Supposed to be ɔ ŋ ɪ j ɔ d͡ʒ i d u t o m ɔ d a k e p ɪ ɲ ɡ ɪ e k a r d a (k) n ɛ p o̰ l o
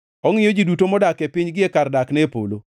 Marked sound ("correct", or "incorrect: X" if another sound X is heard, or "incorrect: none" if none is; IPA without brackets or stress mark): correct